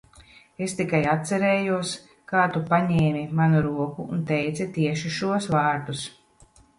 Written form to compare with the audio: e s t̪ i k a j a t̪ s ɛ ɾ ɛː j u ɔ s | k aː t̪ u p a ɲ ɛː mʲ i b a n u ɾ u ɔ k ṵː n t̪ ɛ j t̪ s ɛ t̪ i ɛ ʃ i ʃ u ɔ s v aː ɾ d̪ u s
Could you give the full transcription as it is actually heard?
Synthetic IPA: e s t̪ i k a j a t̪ s ɛ ɾ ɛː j u ɔ s | k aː t̪ u p a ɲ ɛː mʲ i m a n u ɾ u ɔ k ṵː n t̪ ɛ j t̪ s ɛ t̪ i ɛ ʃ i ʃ u ɔ s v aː ɾ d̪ u s